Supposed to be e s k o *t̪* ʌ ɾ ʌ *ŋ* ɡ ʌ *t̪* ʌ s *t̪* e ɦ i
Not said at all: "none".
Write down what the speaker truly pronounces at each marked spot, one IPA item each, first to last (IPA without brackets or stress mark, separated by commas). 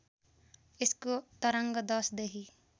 t̪, ŋ, d̪, d̪